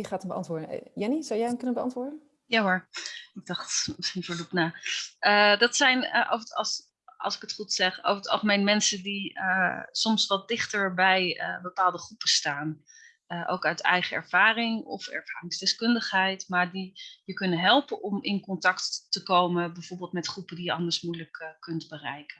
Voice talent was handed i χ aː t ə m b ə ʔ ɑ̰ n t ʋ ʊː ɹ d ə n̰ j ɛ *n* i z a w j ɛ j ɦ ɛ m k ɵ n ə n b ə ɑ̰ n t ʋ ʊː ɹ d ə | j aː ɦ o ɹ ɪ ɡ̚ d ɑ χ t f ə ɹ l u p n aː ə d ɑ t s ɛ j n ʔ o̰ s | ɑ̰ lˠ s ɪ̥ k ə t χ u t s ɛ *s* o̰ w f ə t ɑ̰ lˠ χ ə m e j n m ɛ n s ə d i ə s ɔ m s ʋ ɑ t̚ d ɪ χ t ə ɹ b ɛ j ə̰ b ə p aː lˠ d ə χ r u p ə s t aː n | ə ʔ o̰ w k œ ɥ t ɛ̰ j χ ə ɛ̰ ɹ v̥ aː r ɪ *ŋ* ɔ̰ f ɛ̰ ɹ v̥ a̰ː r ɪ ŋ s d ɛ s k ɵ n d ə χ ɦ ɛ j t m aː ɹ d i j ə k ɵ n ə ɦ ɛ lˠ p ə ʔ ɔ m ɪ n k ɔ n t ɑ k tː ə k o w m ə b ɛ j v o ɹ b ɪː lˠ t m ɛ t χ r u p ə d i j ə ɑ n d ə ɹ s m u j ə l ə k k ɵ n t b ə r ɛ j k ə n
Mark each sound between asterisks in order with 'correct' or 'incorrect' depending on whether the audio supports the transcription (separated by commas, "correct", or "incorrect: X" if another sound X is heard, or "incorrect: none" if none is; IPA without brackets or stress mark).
correct, incorrect: χ, correct